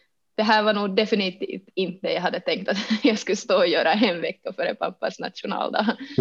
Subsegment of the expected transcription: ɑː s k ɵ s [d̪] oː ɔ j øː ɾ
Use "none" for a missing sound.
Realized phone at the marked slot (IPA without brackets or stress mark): t̪